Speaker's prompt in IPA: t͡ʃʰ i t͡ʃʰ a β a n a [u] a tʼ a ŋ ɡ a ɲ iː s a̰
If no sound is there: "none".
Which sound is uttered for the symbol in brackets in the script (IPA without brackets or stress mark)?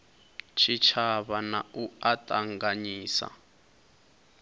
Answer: u